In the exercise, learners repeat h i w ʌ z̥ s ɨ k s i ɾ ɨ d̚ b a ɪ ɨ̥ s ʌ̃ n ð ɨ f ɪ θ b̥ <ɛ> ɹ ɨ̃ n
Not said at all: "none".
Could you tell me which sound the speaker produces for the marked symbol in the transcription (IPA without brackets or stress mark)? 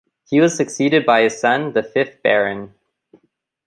ɛ